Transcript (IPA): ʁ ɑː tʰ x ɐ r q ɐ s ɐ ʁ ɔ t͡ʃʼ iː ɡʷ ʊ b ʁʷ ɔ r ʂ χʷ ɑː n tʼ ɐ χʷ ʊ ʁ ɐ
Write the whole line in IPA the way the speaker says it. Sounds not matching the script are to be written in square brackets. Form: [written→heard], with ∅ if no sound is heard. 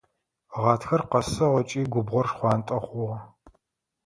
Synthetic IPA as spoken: ʁ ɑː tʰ x ɐ r q ɐ s ɐ ʁ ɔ t͡ʃʼ iː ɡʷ ʊ b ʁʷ ɔ r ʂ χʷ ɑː n tʼ ɐ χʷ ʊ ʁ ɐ